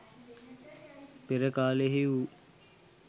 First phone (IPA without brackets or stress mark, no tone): p